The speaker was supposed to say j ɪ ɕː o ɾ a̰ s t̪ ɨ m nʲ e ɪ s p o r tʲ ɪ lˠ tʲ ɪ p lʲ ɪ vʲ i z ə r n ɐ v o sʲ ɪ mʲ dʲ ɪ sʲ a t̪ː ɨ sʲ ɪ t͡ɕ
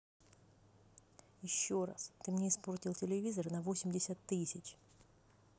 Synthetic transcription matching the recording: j ɪ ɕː o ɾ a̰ s t̪ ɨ m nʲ e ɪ s p o r tʲ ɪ lˠ tʲ ɪ lʲ ɪ vʲ i z ə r n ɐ v o sʲ ɪ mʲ dʲ ɪ sʲ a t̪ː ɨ sʲ ɪ t͡ɕ